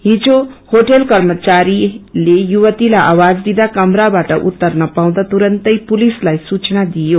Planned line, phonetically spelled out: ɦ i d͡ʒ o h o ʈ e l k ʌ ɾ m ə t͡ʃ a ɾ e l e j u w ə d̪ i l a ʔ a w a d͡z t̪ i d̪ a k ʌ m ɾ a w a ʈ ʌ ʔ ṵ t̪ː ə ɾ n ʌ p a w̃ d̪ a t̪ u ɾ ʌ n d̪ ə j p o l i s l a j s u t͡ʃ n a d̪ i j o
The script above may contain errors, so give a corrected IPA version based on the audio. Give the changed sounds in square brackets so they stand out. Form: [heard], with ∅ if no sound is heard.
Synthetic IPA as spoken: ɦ i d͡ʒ o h o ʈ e l k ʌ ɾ m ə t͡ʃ a ɾ [i] l e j u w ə [t̪] i l a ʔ a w a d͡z [d̪] i d̪ a k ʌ m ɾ a [b] a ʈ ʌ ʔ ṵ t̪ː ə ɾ n ʌ p a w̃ d̪ a t̪ u ɾ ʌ n [t̪] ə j p [u] l i s l a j s u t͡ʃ n a d̪ i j o